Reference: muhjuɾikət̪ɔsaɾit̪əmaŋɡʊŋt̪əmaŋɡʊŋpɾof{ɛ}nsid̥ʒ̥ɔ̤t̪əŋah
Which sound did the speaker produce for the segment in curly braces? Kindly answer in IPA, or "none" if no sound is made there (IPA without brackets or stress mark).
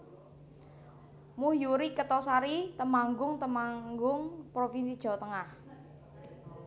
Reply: i